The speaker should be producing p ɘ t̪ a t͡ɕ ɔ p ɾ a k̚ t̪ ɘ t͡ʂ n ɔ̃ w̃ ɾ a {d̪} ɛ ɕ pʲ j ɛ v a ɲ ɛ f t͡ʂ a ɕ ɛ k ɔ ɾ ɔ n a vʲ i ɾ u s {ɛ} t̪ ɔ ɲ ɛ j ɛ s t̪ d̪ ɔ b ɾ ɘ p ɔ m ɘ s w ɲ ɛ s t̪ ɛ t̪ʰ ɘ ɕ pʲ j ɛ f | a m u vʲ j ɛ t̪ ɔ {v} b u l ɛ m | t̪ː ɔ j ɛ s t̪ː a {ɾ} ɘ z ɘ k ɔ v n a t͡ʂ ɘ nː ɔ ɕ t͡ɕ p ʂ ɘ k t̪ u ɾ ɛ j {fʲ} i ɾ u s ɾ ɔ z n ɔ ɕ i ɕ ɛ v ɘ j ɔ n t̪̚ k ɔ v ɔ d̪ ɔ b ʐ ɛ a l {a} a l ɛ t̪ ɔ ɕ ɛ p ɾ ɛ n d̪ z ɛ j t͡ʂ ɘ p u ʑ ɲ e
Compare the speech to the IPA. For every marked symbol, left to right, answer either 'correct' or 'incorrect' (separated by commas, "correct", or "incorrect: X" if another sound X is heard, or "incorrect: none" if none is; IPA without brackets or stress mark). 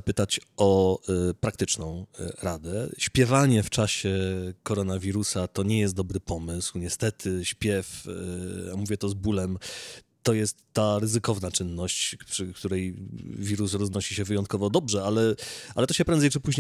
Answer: correct, incorrect: a, incorrect: z, correct, incorrect: vʲ, incorrect: ɛ